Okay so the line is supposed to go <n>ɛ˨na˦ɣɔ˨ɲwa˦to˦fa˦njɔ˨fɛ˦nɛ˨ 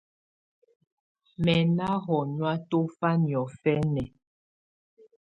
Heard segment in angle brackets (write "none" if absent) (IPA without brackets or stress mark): m